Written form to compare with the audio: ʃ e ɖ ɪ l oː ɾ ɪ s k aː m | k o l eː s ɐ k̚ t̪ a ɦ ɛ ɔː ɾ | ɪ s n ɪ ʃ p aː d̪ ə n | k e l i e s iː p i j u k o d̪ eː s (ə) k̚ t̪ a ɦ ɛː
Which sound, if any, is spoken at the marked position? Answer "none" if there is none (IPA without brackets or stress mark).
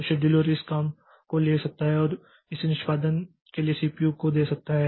ɐ